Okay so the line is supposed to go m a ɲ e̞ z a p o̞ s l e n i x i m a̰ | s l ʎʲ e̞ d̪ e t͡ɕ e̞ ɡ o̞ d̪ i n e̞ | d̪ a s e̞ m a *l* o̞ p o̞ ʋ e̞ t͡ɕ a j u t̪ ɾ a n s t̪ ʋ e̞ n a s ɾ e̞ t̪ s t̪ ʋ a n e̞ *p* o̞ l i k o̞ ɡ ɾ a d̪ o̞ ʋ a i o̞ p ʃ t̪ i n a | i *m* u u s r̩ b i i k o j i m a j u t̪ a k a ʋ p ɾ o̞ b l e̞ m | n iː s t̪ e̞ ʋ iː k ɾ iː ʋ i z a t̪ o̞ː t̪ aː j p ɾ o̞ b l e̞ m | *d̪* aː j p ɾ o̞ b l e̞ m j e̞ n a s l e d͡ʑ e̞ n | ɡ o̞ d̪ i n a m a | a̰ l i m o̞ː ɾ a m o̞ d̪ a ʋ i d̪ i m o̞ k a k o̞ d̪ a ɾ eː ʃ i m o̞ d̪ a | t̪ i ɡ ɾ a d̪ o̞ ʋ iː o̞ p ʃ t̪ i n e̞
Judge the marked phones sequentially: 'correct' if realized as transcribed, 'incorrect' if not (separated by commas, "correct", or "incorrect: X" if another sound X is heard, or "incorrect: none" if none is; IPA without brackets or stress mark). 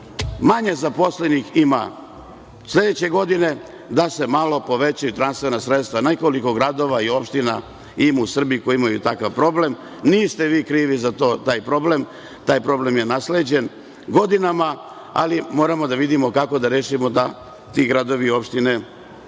correct, incorrect: k, correct, incorrect: t̪